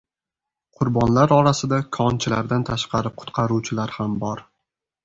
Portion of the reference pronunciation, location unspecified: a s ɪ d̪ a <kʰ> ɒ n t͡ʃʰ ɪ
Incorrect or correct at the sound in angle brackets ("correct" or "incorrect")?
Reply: correct